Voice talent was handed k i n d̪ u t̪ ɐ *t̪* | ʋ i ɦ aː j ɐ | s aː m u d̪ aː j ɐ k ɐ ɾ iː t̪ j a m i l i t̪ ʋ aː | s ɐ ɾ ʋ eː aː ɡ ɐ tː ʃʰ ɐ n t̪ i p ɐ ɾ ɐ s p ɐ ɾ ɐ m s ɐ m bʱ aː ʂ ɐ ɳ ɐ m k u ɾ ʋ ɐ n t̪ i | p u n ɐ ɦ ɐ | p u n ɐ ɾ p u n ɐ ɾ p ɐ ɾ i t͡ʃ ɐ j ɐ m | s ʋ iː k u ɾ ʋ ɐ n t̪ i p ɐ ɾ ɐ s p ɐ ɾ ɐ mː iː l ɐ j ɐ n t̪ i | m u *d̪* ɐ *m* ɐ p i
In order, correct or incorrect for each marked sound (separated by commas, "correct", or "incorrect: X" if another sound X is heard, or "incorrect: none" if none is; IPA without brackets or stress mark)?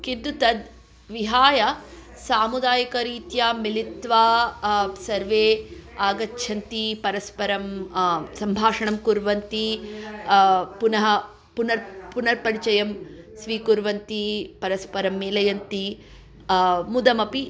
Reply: incorrect: d̪, correct, correct